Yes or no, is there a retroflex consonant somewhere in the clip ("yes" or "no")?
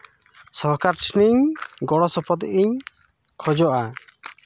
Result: yes